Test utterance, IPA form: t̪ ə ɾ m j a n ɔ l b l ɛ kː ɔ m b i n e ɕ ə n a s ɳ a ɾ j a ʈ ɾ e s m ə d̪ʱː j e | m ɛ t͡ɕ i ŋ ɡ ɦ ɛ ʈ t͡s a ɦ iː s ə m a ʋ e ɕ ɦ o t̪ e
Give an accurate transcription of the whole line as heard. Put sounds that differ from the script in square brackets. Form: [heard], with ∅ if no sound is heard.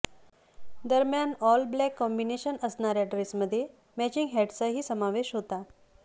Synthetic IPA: [d̪] ə ɾ m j a n ɔ l b l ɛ kː ɔ m b i n e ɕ ə n [ə] s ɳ a ɾ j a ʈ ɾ e s m ə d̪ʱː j e | m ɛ t͡ɕ i ŋ ɡ ɦ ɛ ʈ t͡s a ɦ iː s ə m a ʋ e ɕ ɦ o t̪ [a]